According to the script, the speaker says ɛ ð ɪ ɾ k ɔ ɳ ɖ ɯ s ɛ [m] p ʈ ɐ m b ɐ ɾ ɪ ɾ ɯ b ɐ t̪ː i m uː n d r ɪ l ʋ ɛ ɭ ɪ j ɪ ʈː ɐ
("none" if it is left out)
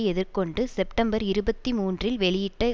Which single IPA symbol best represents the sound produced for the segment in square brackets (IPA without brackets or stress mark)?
none